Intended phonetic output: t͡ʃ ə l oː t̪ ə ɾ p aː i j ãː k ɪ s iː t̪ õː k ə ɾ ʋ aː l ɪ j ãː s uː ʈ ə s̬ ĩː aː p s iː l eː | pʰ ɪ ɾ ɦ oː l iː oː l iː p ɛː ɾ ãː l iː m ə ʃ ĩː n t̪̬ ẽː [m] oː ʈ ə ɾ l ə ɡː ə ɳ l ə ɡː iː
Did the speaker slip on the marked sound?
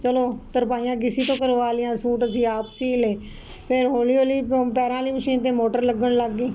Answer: no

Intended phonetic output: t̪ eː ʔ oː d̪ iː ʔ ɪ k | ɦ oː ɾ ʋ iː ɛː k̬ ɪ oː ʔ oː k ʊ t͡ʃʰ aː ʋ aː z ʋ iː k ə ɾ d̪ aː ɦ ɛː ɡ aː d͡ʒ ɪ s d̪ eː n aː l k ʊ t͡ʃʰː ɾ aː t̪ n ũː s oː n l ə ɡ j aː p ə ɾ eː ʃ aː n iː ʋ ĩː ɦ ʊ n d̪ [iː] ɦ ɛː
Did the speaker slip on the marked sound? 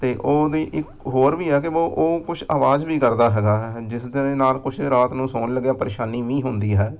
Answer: no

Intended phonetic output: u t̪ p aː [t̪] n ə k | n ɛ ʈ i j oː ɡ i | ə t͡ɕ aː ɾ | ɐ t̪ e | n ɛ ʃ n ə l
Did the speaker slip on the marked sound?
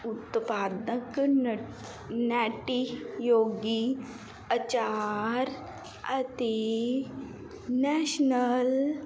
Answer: yes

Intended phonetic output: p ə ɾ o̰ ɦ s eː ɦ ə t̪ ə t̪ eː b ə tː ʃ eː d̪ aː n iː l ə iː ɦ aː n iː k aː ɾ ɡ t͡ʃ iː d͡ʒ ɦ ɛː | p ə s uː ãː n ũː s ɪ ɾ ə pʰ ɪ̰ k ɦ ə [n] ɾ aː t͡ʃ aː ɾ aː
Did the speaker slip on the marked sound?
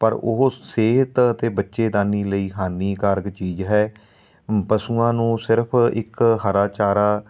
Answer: yes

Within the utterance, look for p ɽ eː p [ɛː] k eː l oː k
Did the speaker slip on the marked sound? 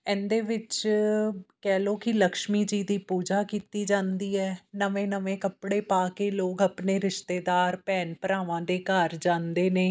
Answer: yes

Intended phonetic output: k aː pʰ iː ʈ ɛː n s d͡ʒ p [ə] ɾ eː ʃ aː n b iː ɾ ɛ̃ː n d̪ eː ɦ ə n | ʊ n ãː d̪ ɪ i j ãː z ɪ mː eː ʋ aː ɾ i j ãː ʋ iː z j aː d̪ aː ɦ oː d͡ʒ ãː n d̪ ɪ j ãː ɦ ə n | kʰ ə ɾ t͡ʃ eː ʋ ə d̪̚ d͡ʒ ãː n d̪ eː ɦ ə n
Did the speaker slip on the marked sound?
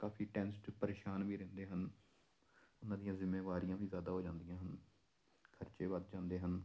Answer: no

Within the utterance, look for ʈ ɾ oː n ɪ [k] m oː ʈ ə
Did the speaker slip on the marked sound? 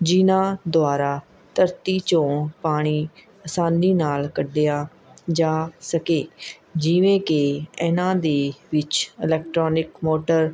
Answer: no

